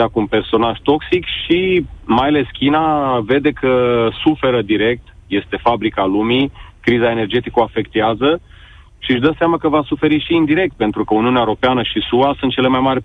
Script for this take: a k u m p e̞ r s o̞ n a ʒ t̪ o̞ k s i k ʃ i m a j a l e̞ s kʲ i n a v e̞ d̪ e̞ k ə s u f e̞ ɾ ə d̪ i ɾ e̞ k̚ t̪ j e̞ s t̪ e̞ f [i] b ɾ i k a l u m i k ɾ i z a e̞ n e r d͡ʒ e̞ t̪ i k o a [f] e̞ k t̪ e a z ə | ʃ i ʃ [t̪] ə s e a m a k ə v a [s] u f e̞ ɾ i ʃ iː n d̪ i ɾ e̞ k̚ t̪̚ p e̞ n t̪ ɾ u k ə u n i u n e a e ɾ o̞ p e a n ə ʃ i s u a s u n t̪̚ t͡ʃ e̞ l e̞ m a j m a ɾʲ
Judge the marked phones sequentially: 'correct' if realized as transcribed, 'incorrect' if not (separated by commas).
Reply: incorrect, correct, incorrect, correct